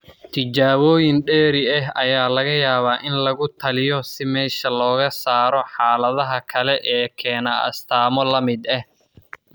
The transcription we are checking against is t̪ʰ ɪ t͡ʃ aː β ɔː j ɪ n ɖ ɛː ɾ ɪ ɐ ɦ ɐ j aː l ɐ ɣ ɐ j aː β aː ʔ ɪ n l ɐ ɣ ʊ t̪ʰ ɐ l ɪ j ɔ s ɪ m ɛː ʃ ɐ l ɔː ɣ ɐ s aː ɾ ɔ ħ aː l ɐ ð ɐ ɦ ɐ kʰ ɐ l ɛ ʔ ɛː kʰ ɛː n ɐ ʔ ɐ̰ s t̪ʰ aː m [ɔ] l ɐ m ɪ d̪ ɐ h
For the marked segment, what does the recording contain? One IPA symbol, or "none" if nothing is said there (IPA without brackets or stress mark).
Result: ɔ